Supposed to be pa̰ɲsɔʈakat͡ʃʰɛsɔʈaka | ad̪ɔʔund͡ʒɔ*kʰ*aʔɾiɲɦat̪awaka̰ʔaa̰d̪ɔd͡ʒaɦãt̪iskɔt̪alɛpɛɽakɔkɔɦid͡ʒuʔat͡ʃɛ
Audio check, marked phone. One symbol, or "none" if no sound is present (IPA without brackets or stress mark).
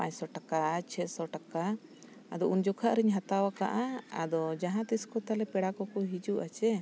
kʰ